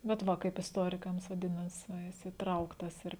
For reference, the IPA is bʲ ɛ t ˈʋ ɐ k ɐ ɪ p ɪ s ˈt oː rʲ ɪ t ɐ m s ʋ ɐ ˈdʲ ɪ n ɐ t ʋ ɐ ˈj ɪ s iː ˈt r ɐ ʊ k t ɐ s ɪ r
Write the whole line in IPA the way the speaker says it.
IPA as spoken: bʲ ɛ t ˈʋ ɐ k ɐ ɪ p ɪ s ˈt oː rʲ ɪ k ɐ m s ʋ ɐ ˈdʲ ɪ n ɐ s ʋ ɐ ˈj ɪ s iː ˈt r ɐ ʊ k t ɐ s ɪ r